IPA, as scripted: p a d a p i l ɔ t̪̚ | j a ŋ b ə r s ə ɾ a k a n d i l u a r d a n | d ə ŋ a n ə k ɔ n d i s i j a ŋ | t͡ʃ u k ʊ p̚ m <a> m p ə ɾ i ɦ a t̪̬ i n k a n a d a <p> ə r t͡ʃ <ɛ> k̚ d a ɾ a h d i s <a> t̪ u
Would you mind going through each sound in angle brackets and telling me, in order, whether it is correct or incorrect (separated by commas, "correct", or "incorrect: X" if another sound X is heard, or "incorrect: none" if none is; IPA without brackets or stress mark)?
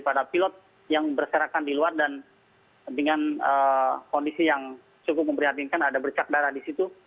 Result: incorrect: ə, incorrect: b, incorrect: a, incorrect: i